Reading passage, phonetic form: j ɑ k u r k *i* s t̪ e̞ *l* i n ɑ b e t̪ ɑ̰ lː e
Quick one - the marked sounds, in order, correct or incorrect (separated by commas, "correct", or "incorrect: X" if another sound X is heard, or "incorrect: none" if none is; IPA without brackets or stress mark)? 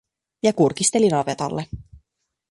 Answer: correct, correct